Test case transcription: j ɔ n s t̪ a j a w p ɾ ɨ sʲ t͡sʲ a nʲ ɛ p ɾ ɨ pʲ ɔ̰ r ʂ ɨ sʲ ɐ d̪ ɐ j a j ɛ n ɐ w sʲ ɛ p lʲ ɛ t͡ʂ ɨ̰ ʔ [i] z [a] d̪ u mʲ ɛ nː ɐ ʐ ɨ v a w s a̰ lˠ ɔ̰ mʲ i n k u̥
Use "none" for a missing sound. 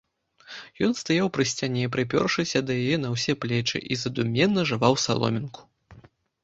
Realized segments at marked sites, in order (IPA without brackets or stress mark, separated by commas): i, ɐ